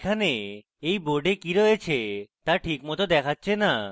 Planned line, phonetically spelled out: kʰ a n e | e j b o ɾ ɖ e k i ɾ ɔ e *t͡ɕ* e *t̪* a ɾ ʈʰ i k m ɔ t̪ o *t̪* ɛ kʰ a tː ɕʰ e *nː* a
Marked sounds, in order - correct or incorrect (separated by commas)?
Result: incorrect, correct, incorrect, incorrect